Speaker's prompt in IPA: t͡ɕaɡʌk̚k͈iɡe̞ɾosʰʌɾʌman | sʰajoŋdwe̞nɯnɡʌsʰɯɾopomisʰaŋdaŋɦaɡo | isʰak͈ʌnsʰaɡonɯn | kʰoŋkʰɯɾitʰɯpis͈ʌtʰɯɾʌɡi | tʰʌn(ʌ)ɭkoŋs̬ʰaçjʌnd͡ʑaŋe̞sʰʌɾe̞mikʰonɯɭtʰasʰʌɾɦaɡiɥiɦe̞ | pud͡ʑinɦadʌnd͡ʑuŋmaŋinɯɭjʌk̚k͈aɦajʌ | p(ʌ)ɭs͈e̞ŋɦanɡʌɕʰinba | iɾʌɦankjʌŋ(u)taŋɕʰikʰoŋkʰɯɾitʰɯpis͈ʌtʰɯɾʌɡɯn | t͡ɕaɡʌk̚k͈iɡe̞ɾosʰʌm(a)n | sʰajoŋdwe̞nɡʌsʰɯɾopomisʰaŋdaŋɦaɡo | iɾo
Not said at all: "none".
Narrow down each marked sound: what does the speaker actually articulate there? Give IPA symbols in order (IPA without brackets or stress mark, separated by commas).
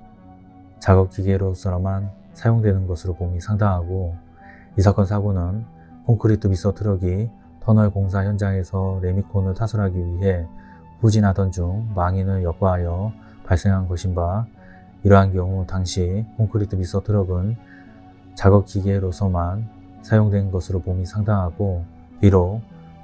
ʌ, a, u, a